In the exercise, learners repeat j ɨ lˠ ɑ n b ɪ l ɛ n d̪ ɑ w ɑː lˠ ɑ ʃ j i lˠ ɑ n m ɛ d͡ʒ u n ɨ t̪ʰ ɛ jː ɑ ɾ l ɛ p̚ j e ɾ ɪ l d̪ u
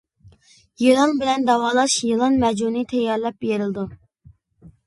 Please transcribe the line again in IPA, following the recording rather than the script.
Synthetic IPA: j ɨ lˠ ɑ n b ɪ l ɛ n d̪ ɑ w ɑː lˠ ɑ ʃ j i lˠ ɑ n m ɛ d͡ʒ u n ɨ t̪ʰ ɛ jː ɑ ɾ l ɛ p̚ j e ɾ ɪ l d̪ u